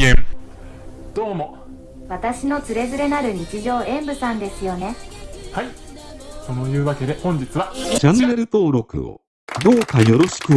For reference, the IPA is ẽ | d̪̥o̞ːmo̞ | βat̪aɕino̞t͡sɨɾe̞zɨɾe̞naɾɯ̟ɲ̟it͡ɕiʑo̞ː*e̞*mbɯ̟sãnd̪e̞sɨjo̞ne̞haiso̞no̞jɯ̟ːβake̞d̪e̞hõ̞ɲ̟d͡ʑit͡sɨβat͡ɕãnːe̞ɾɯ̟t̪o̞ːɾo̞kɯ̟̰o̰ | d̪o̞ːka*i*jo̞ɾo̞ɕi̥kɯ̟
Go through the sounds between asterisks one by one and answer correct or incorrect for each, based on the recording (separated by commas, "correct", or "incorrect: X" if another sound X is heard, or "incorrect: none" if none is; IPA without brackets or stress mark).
incorrect: ẽ̞, incorrect: j